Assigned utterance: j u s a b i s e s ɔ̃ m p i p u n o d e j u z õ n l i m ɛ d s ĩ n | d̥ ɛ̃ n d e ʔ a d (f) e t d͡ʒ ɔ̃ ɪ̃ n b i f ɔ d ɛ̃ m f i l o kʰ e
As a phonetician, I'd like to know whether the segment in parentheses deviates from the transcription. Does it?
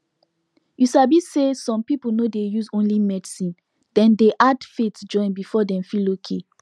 no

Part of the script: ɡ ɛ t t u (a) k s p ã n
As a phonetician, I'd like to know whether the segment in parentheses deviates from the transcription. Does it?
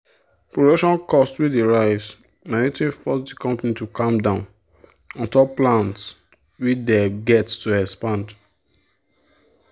yes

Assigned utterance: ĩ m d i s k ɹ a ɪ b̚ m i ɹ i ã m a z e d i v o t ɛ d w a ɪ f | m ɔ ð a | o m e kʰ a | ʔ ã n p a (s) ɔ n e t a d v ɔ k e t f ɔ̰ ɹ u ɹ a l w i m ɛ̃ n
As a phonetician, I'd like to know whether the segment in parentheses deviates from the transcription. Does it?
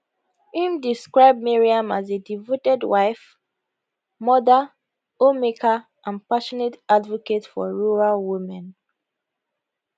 yes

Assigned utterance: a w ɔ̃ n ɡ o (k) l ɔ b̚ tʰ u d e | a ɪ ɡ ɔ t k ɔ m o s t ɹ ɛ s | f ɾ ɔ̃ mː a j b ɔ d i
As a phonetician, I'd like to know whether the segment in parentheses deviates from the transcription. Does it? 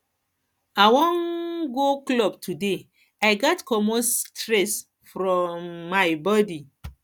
no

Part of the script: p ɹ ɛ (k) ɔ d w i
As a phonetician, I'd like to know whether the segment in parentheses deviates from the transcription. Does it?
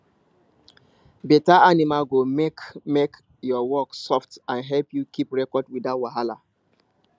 no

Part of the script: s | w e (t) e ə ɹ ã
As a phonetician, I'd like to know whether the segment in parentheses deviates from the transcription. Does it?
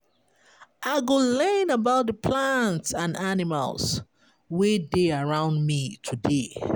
yes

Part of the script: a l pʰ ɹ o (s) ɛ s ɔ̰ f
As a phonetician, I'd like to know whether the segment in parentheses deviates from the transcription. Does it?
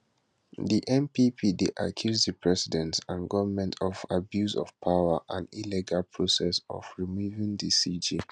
no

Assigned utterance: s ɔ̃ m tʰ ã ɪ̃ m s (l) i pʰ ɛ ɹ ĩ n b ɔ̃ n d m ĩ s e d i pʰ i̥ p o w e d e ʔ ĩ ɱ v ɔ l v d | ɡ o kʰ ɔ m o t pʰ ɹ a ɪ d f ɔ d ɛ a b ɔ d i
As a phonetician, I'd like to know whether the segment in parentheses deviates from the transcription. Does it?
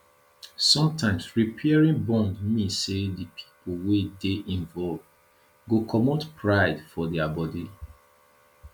yes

